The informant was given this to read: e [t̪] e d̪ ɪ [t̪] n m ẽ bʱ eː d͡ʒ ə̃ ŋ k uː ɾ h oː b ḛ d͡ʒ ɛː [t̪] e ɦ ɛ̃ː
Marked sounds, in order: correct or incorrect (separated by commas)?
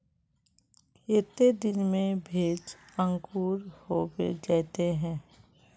correct, incorrect, correct